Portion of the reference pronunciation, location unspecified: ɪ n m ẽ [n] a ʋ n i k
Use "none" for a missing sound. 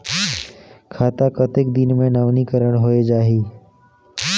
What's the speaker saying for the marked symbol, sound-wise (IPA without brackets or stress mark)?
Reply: n